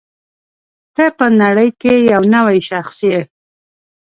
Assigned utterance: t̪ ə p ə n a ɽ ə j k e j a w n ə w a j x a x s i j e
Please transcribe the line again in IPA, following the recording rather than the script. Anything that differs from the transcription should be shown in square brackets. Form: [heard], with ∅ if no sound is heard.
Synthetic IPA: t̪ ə p ə n a ɽ ə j k e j a w n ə w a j [ʃ] a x s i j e